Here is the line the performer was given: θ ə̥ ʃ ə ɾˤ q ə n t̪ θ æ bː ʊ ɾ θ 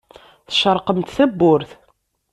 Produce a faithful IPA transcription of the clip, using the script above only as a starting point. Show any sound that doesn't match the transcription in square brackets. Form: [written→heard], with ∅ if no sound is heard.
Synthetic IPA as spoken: θ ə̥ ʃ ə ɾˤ q ə [n→m] t̪ θ æ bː ʊ ɾ θ